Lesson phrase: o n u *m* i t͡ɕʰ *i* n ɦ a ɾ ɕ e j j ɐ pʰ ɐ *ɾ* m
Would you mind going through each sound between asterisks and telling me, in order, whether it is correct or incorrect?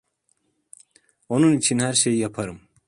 incorrect, correct, correct

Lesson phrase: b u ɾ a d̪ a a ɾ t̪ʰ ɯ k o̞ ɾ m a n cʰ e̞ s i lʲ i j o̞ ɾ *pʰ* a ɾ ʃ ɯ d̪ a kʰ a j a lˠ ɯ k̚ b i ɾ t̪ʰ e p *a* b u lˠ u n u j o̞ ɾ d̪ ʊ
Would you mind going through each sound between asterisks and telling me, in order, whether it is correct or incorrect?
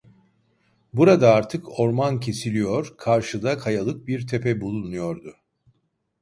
incorrect, incorrect

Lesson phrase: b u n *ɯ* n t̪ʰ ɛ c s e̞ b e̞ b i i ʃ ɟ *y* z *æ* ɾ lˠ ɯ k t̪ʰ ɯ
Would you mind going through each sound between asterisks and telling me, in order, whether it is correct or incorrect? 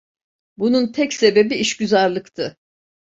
incorrect, correct, incorrect

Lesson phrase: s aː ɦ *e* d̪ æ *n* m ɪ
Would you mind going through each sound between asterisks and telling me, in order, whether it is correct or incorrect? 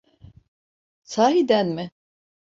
incorrect, correct

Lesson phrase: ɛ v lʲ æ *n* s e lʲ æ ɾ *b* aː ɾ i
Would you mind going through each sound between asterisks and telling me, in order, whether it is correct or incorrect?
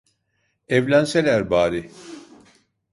correct, correct

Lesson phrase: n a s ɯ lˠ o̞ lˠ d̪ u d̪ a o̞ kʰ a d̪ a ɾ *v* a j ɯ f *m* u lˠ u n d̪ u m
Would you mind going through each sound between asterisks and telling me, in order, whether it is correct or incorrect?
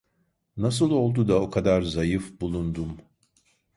incorrect, incorrect

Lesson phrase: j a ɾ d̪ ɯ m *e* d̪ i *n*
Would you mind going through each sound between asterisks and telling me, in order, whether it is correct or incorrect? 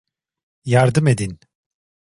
correct, correct

